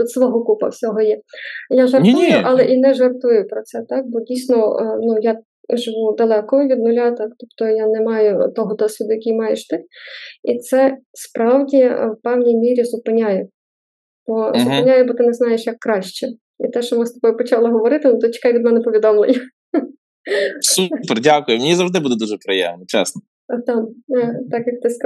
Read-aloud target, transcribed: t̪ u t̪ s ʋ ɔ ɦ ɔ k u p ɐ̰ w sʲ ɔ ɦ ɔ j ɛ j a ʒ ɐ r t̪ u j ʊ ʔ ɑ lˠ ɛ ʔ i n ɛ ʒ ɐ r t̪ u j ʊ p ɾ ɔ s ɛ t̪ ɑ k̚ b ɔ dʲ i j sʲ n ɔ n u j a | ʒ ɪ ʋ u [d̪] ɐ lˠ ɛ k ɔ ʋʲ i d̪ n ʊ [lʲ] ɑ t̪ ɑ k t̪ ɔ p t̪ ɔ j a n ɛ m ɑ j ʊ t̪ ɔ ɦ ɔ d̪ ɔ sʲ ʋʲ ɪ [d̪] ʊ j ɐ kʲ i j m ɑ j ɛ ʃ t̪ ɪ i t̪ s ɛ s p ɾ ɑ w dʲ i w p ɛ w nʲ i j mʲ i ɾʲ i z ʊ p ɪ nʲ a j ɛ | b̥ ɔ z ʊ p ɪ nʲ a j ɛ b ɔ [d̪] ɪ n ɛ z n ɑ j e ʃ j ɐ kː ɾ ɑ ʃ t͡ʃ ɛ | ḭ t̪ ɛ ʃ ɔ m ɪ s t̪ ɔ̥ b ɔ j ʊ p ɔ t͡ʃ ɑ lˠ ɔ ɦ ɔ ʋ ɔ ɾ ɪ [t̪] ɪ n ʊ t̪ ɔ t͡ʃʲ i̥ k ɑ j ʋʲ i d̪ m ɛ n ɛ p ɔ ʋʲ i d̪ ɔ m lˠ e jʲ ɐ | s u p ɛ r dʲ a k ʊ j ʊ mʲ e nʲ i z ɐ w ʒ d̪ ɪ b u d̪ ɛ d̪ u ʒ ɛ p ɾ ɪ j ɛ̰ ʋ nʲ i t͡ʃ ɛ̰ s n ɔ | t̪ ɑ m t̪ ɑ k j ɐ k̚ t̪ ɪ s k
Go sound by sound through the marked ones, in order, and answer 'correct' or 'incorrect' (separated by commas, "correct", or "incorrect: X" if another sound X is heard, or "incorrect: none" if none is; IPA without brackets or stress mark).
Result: correct, correct, correct, incorrect: t̪, correct